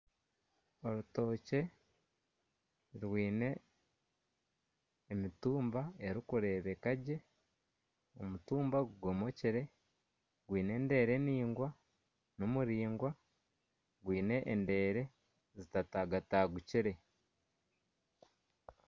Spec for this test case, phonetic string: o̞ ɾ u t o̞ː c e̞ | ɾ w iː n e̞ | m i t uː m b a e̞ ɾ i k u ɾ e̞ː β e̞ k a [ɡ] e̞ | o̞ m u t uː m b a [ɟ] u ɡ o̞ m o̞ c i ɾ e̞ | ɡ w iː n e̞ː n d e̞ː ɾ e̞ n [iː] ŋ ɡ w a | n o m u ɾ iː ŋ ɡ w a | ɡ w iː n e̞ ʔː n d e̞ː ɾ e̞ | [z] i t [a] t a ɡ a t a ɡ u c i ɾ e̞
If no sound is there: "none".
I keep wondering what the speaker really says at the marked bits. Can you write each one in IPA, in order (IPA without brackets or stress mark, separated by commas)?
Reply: ɟ, ɡ, iː, z, a